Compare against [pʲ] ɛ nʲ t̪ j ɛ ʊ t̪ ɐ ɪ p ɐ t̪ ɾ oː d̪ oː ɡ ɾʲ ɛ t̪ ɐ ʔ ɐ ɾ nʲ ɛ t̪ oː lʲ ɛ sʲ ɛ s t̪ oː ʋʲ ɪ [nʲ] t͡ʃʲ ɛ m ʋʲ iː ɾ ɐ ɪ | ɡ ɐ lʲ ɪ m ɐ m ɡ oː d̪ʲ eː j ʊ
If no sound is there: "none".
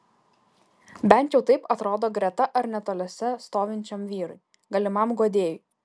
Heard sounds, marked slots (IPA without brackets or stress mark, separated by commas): bʲ, nʲ